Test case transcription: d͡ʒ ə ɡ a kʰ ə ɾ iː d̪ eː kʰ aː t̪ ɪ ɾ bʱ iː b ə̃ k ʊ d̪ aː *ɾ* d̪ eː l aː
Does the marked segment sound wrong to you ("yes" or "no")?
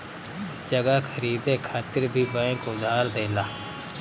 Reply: no